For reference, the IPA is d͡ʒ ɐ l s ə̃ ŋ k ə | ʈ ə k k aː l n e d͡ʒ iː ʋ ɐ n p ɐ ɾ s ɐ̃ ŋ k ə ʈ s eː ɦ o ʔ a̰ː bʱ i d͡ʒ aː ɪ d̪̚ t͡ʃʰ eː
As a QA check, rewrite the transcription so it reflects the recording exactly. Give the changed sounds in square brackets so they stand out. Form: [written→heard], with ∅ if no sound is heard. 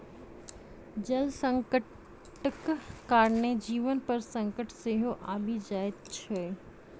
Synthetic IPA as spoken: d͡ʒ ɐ l s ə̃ ŋ k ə | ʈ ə k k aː [l→ɾ] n e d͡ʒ iː ʋ [ɐ→ə] n p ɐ ɾ s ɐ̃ ŋ k ə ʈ s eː ɦ o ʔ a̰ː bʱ i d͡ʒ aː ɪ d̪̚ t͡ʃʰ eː